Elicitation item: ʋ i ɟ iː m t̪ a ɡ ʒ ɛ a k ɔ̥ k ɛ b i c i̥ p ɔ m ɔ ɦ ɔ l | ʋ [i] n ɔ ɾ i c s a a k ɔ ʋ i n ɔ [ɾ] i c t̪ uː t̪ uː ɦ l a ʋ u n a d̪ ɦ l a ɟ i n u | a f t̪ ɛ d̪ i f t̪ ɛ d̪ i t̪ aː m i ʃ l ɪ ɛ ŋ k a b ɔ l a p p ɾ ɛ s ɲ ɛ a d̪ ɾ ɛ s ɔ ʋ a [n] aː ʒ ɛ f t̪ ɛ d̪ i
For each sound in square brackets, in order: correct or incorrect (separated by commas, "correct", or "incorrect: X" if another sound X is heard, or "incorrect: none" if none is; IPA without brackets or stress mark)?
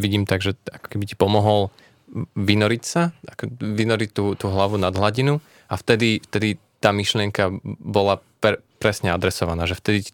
correct, correct, correct